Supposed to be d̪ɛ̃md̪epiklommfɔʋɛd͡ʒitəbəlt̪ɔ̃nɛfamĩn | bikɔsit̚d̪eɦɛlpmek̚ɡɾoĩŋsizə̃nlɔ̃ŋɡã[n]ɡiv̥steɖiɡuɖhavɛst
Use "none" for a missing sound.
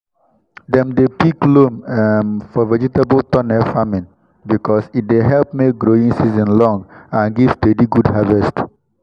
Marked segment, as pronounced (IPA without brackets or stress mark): n